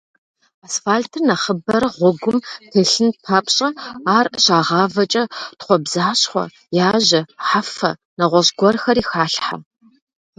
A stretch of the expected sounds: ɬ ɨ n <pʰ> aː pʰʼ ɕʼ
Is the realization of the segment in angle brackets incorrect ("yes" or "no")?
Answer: no